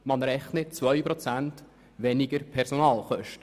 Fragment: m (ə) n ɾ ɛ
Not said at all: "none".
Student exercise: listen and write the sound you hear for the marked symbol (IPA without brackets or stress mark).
ɑ